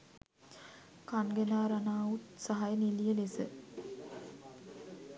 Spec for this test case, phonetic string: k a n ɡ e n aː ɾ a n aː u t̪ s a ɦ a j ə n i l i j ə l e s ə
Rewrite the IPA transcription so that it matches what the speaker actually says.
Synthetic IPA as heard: k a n ɡ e n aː ɾ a n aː u t̪ s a ɦ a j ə n i l i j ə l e s ə